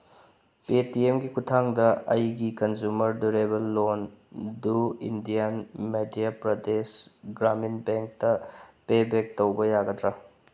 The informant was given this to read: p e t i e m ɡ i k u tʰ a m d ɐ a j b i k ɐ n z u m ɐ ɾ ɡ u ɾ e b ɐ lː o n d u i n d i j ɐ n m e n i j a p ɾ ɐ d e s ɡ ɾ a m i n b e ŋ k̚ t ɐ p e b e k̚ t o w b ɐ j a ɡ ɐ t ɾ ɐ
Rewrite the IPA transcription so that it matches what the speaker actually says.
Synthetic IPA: p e t i e m ɡ i k u tʰ a ŋ d ɐ ɐ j ɡ i k ɐ n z u m ɐ ɾ d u ɾ e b ɐ lː o n d u i n d i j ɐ n m e d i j a p ɾ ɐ d e s ɡ ɾ a m i n b e ŋ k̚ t ɐ p e b e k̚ t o w b ɐ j a ɡ ɐ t ɾ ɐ